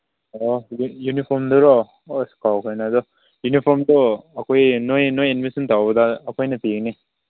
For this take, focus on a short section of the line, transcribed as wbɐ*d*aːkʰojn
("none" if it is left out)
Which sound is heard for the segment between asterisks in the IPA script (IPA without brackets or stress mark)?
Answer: d